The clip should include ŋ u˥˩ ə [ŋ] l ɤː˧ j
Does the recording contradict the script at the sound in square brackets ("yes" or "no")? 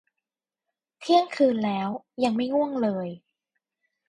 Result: no